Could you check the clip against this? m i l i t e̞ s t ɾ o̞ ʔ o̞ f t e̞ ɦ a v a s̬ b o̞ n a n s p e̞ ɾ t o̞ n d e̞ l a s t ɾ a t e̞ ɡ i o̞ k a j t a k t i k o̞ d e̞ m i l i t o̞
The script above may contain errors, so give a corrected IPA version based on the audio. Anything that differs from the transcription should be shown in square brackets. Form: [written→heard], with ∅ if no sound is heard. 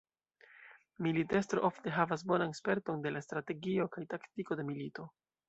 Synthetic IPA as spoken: m i l i t e̞ s t ɾ o̞ ʔ o̞ f t e̞ ɦ a v a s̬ b o̞ n a n s p e̞ ɾ t o̞ n d e̞ l a s t ɾ a t e̞ ɡ i o̞ k a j t a k t i k o̞ d e̞ m i l i t o̞

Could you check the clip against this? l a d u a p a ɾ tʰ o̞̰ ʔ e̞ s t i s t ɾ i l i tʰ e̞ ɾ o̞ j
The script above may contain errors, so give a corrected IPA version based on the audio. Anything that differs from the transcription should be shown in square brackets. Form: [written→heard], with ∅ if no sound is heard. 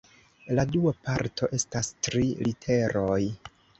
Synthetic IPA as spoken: l a d u a p a ɾ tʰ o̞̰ ʔ e̞ s t [i→a] s t ɾ i l i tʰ e̞ ɾ o̞ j

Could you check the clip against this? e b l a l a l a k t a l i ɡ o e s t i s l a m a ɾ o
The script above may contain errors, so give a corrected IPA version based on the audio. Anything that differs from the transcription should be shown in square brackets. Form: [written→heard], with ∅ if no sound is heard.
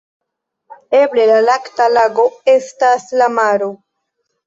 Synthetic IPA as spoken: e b l [a→e] l a l a k t a l [i→a] ɡ o e s t [i→a] s l a m a ɾ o

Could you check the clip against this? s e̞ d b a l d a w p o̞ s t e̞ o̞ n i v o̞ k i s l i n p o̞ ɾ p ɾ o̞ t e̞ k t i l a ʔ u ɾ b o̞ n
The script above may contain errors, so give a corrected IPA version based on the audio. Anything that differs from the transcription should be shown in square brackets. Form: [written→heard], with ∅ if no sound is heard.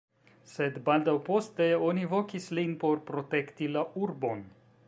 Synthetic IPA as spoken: s e̞ d b a l d a w p o̞ s t e̞ o̞ n i v o̞ k i s l i n p o̞ ɾ p ɾ o̞ t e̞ k t i l a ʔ u ɾ b o̞ n

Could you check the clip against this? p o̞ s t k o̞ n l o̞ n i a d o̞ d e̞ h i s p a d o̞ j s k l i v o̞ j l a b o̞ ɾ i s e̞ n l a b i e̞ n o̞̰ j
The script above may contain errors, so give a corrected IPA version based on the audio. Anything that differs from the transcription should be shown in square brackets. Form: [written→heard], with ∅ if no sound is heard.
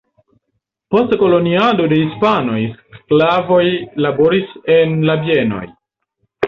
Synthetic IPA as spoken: p o̞ s t k o̞ [n→∅] l o̞ n i a d o̞ d e̞ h i s p a [d→n] o̞ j s k l [i→a] v o̞ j l a b o̞ ɾ i s e̞ n l a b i e̞ n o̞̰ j

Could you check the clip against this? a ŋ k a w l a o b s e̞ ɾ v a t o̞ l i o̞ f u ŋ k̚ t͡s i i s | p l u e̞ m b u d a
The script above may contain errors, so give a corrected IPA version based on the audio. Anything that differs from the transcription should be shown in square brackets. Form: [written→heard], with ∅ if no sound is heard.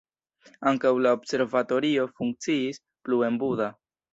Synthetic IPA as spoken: a ŋ k a w l a o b s e̞ ɾ v a t o̞ [l→ɾ] i o̞ f u ŋ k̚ t͡s i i s | p l u e̞ m b u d a

